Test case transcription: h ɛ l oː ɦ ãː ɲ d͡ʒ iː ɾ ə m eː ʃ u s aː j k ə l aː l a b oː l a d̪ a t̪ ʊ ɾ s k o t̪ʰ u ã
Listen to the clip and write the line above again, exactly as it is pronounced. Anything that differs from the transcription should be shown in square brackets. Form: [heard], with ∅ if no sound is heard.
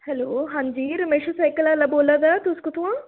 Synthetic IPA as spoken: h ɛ l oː ɦ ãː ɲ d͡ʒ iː ɾ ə m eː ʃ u s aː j k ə l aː l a b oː l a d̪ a t̪ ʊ [∅] s k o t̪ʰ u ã